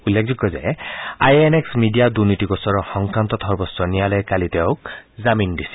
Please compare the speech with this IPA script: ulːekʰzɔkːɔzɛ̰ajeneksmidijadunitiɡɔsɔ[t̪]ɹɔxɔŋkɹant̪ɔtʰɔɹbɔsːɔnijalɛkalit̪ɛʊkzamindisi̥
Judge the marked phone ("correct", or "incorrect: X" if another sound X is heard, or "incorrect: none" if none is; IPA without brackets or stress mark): incorrect: none